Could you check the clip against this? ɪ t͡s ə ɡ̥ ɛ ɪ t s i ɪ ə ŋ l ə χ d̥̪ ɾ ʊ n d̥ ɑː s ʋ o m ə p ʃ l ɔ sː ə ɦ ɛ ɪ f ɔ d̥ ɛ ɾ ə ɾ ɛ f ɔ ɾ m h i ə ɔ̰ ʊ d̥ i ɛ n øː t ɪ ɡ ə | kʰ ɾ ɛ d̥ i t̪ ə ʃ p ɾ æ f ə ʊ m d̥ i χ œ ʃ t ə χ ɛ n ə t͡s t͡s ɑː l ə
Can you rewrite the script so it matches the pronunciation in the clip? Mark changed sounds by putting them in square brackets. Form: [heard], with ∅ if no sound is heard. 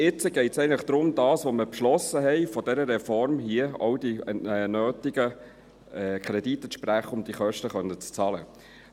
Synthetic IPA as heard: ɪ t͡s ə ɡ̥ ɛ ɪ t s [ɛ] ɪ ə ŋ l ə χ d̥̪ ɾ ʊ [m] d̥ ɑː s ʋ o m ə p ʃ l ɔ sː ə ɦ ɛ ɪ f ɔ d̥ ɛ ɾ ə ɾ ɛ f ɔ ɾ m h i ə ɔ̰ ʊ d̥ i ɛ n øː t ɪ ɡ ə | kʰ ɾ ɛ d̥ i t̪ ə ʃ p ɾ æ [χ] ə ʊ m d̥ i χ œ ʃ t ə χ [œ] n ə t͡s t͡s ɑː l ə

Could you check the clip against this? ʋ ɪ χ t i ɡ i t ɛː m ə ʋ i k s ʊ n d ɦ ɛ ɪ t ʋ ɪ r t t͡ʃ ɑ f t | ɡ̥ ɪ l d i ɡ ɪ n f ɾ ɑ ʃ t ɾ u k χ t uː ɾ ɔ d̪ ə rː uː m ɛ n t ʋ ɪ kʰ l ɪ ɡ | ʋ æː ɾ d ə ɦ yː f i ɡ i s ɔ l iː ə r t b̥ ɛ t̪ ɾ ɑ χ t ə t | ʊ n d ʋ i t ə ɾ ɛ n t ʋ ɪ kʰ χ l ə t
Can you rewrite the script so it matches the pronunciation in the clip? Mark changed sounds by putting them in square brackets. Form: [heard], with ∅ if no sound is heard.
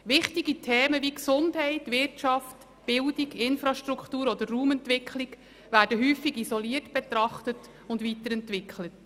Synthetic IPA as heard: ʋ ɪ χ t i ɡ i [tʰ] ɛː m ə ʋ i k s ʊ n d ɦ ɛ ɪ t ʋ ɪ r t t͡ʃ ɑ f t | [b̥] ɪ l d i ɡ ɪ n f ɾ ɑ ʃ t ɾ u k χ t uː ɾ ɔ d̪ ə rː uː m ɛ n t ʋ ɪ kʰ l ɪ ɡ | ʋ æː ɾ d ə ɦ yː f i ɡ i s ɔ l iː ə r t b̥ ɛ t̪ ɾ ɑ χ t ə t | ʊ n d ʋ i t ə ɾ ɛ n t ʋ ɪ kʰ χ l ə t

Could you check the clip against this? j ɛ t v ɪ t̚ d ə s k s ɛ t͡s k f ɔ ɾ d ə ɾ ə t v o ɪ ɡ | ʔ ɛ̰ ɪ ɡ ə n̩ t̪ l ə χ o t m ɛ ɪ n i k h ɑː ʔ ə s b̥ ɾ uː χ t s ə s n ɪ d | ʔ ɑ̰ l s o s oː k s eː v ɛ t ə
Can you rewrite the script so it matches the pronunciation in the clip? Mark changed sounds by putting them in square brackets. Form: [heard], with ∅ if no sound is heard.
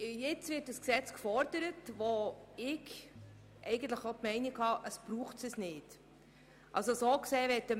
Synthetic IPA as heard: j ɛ [t͡s] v ɪ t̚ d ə s k s ɛ t͡s k f ɔ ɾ d ə ɾ ə t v o ɪ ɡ | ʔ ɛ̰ ɪ ɡ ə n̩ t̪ l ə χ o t m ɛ ɪ n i k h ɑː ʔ ə s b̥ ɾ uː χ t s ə s n ɪ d | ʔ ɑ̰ l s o s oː k s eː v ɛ t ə

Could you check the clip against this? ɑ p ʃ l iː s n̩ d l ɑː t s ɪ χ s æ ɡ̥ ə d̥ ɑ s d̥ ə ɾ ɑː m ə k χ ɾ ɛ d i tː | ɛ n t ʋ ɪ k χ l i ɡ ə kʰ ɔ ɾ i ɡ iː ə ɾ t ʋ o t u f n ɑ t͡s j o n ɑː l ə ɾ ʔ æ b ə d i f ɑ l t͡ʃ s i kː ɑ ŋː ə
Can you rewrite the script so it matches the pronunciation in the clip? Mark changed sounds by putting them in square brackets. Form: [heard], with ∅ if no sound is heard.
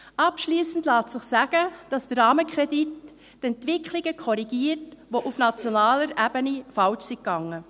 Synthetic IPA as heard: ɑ p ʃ l iː s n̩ d l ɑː t s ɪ χ s æ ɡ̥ ə d̥ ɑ s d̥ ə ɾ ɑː m ə k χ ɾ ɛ d i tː | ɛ n t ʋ ɪ k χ l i ɡ ə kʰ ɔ ɾ i ɡ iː ə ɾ t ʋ o [ʔ] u f n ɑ t͡s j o n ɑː l ə ɾ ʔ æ b ə [n] i f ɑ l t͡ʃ s i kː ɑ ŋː ə

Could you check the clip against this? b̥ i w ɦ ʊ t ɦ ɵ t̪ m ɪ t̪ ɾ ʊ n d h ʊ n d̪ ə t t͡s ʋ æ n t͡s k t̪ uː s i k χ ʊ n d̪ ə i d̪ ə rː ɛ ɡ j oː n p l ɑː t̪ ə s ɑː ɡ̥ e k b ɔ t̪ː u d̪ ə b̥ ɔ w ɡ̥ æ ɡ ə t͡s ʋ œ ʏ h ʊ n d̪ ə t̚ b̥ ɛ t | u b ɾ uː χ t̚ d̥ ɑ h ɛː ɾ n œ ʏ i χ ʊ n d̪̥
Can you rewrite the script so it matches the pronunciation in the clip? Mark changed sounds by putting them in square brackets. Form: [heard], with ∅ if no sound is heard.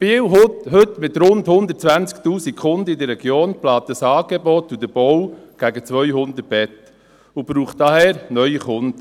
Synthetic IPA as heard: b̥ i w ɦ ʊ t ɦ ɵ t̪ m ɪ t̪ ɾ ʊ n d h ʊ n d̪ ə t t͡s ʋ æ n t͡s k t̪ uː s i k χ ʊ n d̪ ə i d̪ ə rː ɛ ɡ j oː n p l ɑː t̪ ə s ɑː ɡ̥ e [∅] b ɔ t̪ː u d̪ ə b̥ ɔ w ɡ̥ æ ɡ ə t͡s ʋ œ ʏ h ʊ n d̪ ə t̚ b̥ ɛ t | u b ɾ uː χ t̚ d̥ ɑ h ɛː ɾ n œ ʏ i χ ʊ n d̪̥

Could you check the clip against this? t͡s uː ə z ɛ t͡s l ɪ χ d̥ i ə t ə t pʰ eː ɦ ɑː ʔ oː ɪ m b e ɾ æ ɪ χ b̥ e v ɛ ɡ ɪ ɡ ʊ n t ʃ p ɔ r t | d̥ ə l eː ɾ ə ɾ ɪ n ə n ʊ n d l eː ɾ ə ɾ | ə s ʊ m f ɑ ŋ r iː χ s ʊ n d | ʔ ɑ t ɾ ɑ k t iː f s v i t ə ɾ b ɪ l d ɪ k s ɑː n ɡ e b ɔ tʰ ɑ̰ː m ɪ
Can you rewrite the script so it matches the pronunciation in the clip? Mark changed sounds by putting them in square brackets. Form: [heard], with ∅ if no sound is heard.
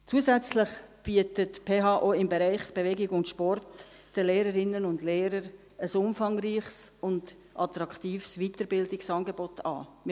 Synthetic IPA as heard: t͡s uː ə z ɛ t͡s l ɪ χ [b̥] i ə t ə t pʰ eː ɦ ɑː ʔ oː ɪ m b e ɾ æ ɪ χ b̥ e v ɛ ɡ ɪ ɡ ʊ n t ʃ p ɔ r t | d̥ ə l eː ɾ ə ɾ ɪ n ə n ʊ n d l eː ɾ ə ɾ | ə s ʊ m f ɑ ŋ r iː χ s ʊ n d | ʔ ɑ t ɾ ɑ k t iː f s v i t ə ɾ b ɪ l d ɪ k s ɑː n ɡ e b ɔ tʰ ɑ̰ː m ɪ

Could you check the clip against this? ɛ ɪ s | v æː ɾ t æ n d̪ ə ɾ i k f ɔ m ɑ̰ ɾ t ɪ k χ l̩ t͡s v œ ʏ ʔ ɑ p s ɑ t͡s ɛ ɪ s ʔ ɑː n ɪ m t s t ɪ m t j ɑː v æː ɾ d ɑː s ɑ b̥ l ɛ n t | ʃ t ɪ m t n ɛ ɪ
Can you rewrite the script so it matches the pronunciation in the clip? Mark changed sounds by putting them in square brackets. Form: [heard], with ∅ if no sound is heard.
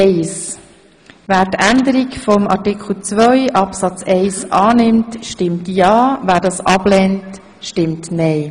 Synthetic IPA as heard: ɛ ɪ s | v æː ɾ t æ n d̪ ə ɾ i k f ɔ m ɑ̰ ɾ t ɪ k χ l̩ t͡s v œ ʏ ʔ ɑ p s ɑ t͡s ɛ ɪ s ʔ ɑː n ɪ m t [ʃ] t ɪ m t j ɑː v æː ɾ d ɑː s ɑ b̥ l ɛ n t | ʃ t ɪ m t n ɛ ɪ

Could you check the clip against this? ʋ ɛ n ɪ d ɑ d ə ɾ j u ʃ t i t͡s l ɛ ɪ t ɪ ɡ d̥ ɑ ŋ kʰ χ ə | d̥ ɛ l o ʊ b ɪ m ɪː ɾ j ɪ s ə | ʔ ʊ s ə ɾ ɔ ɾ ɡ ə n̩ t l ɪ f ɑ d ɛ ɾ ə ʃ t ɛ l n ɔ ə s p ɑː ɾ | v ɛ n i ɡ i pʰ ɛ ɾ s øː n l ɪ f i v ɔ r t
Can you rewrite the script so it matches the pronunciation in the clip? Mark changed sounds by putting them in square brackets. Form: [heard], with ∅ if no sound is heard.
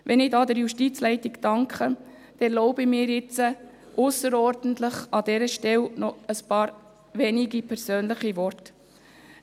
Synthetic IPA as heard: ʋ ɛ n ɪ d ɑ d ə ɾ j u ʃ t i t͡s l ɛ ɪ t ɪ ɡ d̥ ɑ ŋ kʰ χ ə | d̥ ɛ l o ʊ b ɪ m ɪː ɾ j ɪ [t͡s] ə | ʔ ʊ s ə ɾ ɔ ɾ [d] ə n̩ t l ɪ [χ] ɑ d ɛ ɾ ə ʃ t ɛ l n ɔ ə s p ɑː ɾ | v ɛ n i ɡ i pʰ ɛ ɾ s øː n l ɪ [χ] i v ɔ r t

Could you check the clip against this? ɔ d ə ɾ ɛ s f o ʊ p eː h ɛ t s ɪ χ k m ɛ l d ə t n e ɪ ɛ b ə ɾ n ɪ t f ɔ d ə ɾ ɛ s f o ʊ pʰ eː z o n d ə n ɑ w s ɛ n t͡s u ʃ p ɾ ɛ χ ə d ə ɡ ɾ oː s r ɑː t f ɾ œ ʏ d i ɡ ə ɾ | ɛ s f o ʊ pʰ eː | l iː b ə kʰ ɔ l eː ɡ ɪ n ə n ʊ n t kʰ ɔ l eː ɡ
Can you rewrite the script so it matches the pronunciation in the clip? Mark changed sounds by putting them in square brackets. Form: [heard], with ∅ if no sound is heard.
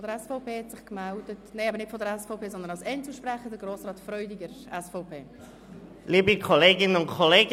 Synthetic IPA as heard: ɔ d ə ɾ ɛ s f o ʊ p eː h ɛ t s ɪ χ k m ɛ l d ə t n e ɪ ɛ b ə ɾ n ɪ t f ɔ d ə ɾ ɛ s f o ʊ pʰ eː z [ɔ] n d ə n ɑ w s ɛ n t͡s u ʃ p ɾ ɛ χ ə d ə ɡ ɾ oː s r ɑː t f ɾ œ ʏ d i ɡ ə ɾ | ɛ s f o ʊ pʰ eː | l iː b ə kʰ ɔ l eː ɡ ɪ n ə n ʊ n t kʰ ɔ l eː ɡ

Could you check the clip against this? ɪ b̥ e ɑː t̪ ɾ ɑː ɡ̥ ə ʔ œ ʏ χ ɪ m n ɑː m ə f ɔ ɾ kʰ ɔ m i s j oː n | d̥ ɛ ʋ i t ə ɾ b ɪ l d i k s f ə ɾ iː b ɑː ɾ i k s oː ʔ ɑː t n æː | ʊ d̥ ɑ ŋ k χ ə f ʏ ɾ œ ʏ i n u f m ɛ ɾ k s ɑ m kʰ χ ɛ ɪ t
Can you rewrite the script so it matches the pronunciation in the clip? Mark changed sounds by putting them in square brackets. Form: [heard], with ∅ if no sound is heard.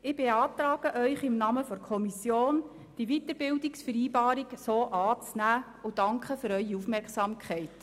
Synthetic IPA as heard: ɪ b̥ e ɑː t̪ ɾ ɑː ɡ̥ ə ʔ œ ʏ χ ɪ m n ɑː m ə f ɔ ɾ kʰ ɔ m i s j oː n | d̥ [i] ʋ i t ə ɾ b ɪ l d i k s f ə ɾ iː b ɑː ɾ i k s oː ʔ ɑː [t͡s] n æː | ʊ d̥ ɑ ŋ k χ ə f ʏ ɾ œ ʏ i [∅] u f m ɛ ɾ k s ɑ m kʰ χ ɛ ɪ t

